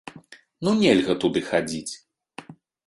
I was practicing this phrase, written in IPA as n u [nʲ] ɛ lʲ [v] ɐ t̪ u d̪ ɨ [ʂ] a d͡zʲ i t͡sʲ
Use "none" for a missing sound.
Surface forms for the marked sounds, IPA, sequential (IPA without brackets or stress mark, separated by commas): nʲ, ɣ, x